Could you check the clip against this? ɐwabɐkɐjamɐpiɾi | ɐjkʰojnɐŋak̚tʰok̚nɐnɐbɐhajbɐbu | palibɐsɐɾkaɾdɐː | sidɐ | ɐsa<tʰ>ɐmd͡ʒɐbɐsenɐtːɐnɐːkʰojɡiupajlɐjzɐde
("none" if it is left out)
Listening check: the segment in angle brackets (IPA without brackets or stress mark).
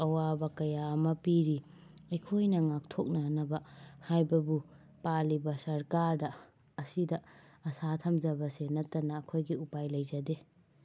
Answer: tʰ